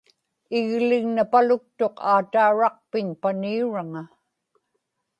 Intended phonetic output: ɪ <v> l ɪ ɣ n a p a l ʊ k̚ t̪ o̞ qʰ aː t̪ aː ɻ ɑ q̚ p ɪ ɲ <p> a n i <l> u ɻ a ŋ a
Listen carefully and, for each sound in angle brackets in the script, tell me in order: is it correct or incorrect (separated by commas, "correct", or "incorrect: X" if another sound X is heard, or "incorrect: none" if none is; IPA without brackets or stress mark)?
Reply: incorrect: ɣ, correct, incorrect: none